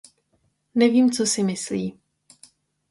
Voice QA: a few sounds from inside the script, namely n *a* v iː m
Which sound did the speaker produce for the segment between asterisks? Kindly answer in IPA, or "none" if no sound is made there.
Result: ɛ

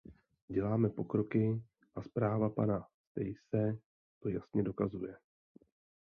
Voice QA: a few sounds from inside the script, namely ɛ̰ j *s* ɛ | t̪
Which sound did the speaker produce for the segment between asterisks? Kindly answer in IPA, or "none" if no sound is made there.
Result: s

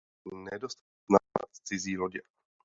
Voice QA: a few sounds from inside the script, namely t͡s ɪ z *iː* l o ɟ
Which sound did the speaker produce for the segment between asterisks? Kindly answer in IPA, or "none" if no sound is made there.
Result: iː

